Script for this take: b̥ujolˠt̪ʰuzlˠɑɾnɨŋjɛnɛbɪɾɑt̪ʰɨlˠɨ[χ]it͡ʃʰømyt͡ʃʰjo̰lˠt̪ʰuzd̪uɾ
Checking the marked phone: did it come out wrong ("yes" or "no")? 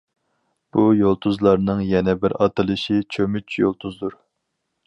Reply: yes